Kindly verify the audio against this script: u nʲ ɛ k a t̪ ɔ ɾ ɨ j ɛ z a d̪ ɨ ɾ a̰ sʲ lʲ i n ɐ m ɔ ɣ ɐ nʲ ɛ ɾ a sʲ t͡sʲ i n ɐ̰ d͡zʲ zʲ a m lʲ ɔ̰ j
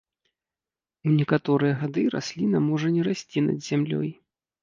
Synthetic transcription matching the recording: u nʲ ɛ k a t̪ ɔ ɾ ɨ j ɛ ɣ a d̪ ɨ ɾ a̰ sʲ lʲ i n ɐ m ɔ ʐ ɐ nʲ ɛ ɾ a sʲ t͡sʲ i n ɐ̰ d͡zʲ zʲ a m lʲ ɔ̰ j